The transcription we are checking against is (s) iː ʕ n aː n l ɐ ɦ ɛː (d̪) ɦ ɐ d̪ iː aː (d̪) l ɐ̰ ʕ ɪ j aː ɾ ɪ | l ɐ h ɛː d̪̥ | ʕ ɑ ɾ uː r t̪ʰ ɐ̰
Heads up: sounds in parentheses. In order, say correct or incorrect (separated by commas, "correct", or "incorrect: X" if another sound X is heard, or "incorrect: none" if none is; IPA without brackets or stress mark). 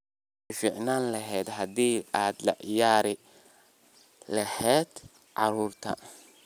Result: incorrect: f, correct, correct